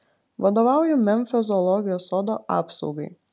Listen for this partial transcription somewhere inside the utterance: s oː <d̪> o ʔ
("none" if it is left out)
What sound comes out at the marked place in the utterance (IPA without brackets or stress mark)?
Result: d̪